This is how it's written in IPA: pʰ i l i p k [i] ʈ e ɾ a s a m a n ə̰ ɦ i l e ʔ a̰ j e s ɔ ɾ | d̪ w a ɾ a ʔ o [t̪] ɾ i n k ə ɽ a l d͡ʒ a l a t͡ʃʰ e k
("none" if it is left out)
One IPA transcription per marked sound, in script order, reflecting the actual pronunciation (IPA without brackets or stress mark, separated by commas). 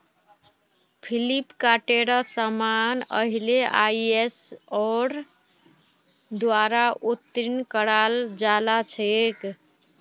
a, t̪